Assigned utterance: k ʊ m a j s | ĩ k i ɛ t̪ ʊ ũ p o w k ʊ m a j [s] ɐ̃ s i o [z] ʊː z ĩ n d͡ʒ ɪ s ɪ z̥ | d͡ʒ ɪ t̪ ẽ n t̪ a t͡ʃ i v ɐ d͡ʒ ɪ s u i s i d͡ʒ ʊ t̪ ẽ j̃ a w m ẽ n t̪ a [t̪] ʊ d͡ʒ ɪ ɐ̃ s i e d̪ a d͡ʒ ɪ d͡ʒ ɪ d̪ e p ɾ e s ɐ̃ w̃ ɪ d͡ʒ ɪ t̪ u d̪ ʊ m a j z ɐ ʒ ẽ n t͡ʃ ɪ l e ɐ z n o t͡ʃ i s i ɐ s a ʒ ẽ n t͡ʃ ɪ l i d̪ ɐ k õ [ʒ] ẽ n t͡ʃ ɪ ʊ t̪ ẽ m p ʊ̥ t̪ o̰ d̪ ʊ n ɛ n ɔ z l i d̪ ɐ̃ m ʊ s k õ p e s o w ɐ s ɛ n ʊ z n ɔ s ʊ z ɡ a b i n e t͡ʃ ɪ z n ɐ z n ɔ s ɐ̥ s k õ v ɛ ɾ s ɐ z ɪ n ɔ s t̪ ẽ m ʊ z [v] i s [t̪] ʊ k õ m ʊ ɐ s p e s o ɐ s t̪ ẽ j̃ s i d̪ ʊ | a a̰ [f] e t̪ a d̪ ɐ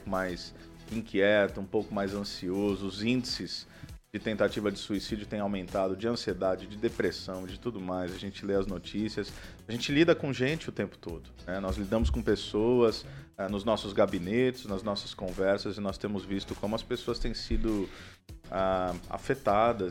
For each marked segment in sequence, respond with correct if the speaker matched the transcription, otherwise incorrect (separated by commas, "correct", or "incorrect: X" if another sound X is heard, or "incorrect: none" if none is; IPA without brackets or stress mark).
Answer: incorrect: z, correct, incorrect: d̪, correct, correct, correct, correct